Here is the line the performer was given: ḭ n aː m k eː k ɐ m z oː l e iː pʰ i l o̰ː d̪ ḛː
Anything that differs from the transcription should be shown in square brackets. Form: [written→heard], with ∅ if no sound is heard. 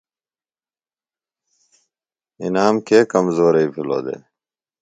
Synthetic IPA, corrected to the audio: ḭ n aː m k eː k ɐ m z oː [l→ɾ] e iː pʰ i l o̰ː d̪ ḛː